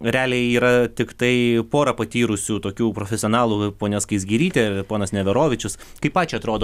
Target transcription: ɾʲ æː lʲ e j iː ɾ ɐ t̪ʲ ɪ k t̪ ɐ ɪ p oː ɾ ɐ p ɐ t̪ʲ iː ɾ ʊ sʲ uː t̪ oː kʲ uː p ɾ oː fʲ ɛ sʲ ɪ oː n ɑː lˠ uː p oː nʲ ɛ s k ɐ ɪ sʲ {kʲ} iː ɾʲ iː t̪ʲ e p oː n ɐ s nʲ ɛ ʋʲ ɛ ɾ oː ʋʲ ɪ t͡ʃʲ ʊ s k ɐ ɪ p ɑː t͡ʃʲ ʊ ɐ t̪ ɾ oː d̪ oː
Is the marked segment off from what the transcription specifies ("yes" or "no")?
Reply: yes